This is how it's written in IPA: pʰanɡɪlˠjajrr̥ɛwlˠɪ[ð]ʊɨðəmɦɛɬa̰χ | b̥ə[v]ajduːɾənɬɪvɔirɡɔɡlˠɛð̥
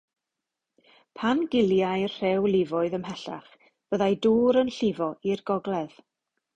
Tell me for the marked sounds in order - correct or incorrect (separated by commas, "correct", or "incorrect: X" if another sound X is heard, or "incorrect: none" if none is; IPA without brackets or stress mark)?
incorrect: v, incorrect: ð